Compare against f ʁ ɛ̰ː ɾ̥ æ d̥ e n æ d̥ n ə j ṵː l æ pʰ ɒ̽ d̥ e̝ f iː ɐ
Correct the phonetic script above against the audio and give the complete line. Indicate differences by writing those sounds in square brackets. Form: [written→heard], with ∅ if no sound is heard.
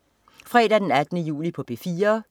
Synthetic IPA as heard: f ʁ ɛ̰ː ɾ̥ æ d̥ e n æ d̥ n ə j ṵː l [æ→i] pʰ ɒ̽ [d̥→b̥] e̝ f iː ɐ